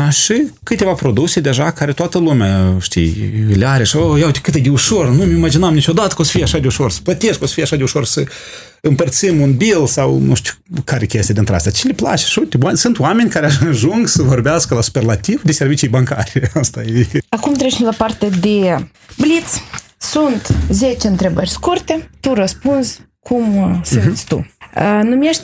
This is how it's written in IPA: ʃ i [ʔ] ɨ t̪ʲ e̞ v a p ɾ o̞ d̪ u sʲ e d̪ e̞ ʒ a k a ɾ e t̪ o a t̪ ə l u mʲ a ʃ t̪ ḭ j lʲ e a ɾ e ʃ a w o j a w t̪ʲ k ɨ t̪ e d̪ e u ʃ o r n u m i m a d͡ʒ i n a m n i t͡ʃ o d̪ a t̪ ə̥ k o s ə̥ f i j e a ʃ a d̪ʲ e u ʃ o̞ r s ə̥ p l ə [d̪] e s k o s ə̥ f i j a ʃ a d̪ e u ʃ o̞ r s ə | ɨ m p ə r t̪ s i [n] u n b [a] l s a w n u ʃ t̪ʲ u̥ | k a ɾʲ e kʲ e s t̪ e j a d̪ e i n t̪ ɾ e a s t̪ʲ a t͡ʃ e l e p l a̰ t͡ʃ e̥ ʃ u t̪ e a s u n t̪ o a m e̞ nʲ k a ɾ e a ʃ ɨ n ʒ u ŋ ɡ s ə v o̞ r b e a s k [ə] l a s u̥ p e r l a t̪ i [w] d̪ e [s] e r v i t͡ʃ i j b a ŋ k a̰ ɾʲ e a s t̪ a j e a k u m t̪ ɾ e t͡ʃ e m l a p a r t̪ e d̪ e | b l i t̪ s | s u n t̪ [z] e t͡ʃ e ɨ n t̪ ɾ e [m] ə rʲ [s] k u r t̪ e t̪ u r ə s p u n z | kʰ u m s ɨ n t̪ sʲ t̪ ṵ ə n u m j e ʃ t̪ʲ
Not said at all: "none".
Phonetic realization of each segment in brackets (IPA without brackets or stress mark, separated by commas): k, t̪, m, i, ə, v, s, z, b, s